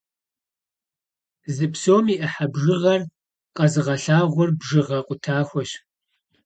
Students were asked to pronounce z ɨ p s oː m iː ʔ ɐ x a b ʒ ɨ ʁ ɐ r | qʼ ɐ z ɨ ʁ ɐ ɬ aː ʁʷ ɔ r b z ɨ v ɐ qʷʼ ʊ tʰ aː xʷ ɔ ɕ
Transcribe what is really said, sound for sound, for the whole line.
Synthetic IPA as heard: z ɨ p s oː m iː ʔ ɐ ħ a b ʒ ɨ ʁ ɐ r | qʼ ɐ z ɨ ʁ ɐ ɬ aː ʁʷ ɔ r b ʒ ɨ ʁ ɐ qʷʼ ʊ tʰ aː xʷ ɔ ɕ